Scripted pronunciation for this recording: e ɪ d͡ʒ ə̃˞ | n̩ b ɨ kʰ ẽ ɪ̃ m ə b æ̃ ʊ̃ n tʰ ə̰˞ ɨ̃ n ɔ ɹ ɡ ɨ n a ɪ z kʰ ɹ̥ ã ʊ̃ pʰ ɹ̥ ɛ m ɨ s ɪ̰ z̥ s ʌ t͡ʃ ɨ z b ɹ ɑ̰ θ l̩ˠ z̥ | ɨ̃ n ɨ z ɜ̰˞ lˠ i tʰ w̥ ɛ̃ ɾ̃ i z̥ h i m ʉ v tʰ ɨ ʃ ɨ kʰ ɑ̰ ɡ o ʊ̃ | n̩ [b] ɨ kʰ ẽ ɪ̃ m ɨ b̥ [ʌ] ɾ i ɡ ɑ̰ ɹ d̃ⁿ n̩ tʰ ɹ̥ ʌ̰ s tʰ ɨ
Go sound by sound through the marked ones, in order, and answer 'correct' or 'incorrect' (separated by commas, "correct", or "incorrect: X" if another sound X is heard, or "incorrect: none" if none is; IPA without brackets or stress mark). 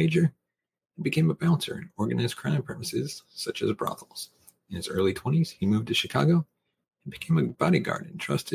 correct, incorrect: ɑ